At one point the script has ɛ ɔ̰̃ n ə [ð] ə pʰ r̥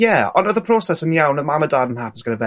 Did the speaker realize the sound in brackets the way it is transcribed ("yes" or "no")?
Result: yes